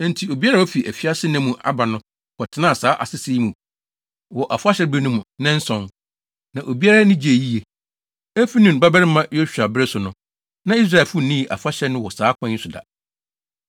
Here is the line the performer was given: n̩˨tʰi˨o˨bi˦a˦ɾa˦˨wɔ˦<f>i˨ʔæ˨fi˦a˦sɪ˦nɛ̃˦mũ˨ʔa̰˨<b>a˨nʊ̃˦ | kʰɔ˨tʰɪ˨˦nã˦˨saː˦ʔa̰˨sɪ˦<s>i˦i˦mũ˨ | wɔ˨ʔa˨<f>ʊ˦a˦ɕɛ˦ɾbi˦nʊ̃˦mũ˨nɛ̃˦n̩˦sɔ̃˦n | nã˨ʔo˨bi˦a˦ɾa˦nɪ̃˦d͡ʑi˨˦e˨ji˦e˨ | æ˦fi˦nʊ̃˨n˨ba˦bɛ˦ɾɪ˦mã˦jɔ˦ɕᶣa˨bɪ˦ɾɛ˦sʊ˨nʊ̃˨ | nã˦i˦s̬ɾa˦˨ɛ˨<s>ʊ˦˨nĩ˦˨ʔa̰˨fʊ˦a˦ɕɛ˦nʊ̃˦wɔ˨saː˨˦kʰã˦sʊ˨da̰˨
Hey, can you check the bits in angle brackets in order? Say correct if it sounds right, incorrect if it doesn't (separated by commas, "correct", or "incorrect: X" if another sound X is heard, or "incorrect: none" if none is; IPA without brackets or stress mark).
correct, correct, correct, correct, incorrect: f